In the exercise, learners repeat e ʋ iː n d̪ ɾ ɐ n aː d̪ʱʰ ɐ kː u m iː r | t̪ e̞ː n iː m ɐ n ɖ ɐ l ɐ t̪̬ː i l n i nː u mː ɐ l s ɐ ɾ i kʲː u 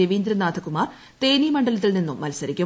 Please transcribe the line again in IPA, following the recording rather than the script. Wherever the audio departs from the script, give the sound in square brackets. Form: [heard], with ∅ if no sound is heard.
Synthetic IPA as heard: e ʋ iː n d̪ ɾ ɐ n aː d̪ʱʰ ɐ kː u m [aː] r | t̪ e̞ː n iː m ɐ [ɳ] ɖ ɐ l ɐ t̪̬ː i l n i nː u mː ɐ l s ɐ ɾ i kʲː u

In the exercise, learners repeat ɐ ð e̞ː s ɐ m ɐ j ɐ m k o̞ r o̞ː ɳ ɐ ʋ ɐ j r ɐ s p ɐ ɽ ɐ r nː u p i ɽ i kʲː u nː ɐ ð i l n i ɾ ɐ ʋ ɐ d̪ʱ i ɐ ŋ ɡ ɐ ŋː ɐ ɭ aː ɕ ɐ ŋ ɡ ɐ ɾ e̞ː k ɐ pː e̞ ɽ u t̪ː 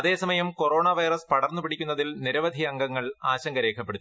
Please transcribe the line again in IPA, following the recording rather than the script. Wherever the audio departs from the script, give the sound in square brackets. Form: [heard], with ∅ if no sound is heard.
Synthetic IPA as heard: ɐ ð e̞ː s ɐ m ɐ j ɐ m k o̞ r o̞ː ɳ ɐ ʋ ɐ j r ɐ s p ɐ ɽ ɐ r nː u p i ɽ i kʲː u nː ɐ ð i l n i ɾ ɐ ʋ ɐ d̪ʱ i ɐ ŋ ɡ ɐ ŋː ɐ ɭ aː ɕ ɐ ŋ ɡ ɐ ɾ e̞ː [kʰ] ɐ pː e̞ ɽ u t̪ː

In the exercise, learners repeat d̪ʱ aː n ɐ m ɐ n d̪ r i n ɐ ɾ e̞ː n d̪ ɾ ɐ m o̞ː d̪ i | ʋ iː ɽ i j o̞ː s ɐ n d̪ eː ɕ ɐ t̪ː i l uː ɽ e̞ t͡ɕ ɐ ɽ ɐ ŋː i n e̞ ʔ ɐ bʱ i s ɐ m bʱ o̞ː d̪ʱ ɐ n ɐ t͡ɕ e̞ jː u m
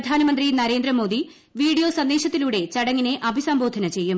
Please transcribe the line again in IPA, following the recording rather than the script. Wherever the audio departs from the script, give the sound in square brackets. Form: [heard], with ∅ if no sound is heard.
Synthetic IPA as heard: d̪ʱ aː n ɐ m ɐ n d̪ r i n ɐ ɾ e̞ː n d̪ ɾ ɐ m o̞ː d̪ i | ʋ iː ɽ i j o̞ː s ɐ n d̪ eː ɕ ɐ t̪ː i l uː ɽ e̞ t͡ɕ ɐ ɽ ɐ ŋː i n e̞ ʔ ɐ bʱ i s ɐ m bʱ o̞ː d̪ʱ ɐ n ɐ t͡ɕ e̞ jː u m

